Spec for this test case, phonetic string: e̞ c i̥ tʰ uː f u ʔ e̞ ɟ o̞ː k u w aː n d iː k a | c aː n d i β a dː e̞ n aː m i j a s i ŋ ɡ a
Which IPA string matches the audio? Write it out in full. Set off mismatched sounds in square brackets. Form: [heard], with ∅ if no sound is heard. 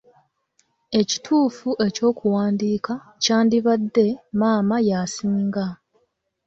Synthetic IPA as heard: e̞ c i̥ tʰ uː f u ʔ e̞ [c] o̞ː k u w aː n d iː k a | c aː n d i β a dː e̞ [m] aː m [a] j a s [iː] ŋ ɡ a